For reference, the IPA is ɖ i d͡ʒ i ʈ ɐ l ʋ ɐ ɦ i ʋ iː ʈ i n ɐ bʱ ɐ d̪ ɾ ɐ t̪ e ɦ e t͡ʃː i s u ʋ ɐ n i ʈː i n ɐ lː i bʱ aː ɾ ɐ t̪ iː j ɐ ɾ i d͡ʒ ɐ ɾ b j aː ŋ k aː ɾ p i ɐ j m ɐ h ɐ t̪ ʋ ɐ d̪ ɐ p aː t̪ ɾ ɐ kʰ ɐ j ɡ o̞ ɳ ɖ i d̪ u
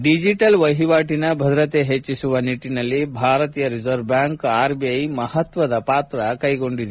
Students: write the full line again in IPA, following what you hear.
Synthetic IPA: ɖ i d͡ʒ i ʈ ɐ l ʋ ɐ ɦ i ʋ aː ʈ i n ɐ bʱ ɐ d̪ ɾ ɐ t̪ e ɦ e t͡ʃː i s u ʋ ɐ n i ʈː i n ɐ lː i bʱ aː ɾ ɐ t̪ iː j ɐ ɾ i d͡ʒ ɐ ɾ b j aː ŋ k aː ɾ b i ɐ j m ɐ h ɐ t̪ ʋ ɐ d̪ ɐ p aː t̪ ɾ ɐ k ɐ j ɡ o̞ ɳ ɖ i d̪ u